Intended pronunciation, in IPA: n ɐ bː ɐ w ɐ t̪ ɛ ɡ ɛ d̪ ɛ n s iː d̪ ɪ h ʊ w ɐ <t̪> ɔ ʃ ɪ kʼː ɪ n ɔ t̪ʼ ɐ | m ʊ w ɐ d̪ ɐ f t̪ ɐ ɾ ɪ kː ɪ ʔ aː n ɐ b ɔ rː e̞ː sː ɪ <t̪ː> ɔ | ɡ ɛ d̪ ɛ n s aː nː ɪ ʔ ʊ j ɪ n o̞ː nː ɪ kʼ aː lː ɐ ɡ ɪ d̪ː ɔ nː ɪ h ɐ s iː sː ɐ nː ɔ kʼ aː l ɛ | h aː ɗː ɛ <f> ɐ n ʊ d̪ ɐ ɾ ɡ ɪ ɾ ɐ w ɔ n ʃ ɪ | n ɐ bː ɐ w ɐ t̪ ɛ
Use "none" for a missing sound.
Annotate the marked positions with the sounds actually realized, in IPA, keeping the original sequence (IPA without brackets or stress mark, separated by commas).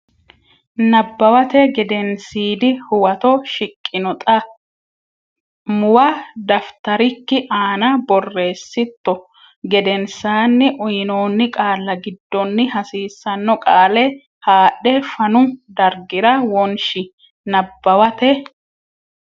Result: t̪, t̪ː, f